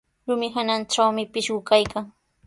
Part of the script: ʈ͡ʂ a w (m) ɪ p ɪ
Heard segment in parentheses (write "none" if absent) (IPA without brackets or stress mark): m